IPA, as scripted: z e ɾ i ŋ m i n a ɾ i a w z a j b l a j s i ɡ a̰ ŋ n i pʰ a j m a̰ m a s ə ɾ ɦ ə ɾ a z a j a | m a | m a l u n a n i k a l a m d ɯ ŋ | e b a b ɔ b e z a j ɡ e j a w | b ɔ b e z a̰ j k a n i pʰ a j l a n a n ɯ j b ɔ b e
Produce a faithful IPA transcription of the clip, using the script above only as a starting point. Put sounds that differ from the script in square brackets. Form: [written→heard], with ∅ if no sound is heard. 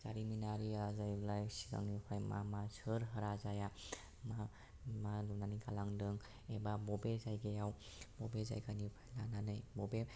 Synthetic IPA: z [e→a] ɾ i [ŋ→∅] m i n a ɾ i a [w→∅] z a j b l a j s i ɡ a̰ ŋ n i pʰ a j m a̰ m a s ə ɾ ɦ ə ɾ a z a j a | m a | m a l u n a n i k a l a [m→ŋ] d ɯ ŋ | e b a b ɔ b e z a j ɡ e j a w | b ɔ b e z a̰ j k a n i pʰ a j l a n a n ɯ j b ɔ b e